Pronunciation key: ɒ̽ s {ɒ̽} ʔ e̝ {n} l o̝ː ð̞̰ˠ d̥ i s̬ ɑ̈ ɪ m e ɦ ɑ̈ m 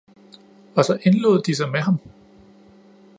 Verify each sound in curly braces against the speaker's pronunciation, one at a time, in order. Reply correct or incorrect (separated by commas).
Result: correct, correct